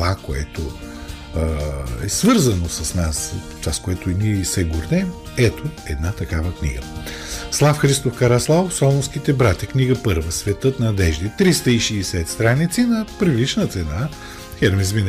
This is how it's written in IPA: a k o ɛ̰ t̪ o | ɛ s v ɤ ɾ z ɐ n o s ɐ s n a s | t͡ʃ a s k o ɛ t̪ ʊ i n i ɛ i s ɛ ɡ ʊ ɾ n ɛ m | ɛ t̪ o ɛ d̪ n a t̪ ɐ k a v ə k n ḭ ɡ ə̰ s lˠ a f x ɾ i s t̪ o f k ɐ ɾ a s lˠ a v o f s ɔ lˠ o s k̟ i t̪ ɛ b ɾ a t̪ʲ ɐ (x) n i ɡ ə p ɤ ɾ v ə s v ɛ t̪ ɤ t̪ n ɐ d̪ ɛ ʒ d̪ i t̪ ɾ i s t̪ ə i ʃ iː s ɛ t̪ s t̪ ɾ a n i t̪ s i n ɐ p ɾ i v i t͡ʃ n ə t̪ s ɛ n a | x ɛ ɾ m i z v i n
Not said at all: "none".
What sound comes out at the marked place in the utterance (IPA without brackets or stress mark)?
k